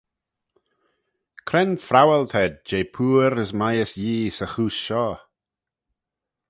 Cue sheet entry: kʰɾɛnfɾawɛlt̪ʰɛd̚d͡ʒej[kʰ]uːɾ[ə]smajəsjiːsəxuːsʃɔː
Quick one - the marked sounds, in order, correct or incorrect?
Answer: incorrect: pʰ, correct

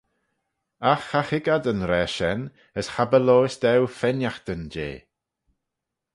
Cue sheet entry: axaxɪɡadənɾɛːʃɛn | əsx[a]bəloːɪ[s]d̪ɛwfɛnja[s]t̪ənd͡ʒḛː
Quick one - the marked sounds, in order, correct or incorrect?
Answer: correct, correct, incorrect: x

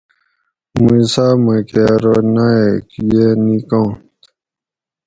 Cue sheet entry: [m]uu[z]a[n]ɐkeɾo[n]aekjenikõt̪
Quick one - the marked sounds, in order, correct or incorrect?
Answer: correct, incorrect: s, incorrect: m, correct

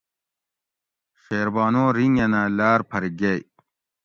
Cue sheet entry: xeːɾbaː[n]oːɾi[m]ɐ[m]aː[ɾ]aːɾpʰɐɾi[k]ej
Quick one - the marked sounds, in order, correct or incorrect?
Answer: correct, incorrect: ŋ, incorrect: n, incorrect: l, incorrect: ɡ

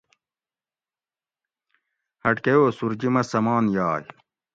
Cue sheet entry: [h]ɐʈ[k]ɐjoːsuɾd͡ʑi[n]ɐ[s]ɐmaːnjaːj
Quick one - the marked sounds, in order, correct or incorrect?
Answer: correct, correct, incorrect: m, correct

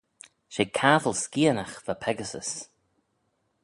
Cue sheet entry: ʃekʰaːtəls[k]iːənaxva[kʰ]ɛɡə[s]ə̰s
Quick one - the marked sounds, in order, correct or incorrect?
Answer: correct, incorrect: pʰ, correct

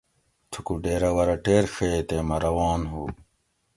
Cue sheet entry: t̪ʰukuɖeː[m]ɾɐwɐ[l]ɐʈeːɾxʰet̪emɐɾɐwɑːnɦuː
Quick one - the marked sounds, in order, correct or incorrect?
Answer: incorrect: none, incorrect: ɾ

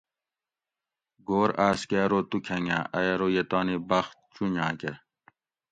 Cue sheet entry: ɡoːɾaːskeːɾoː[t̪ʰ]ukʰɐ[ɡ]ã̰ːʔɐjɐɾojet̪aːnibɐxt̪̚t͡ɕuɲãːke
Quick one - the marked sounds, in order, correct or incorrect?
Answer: incorrect: t̪, incorrect: ŋ

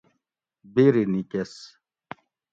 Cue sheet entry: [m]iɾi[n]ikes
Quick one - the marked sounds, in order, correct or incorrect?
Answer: incorrect: b, correct

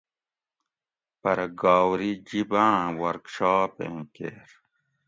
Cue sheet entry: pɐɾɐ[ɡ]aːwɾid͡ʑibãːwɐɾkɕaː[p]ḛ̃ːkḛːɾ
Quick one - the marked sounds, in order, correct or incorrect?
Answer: correct, correct

